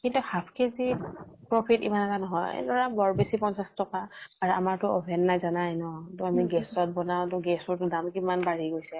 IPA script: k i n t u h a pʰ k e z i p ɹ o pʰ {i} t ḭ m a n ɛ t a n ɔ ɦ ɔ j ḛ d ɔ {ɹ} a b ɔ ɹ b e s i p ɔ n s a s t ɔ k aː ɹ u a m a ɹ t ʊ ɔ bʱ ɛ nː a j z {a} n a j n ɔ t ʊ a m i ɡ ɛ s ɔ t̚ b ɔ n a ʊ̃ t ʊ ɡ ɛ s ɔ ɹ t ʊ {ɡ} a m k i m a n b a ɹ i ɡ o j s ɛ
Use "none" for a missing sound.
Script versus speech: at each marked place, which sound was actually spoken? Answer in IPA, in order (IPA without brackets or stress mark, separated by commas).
i, ɹ, a, d